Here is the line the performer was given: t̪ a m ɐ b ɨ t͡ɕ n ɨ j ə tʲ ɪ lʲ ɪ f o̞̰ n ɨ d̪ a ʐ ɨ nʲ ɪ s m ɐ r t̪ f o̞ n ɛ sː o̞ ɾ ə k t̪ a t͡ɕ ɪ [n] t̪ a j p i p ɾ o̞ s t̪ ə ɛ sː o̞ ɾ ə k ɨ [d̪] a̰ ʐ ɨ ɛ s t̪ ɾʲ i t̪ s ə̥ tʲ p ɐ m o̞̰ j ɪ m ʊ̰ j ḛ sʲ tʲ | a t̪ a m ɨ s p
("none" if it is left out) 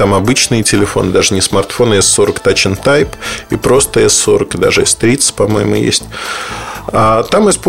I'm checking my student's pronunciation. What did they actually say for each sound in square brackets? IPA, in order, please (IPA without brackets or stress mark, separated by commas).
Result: n, d̪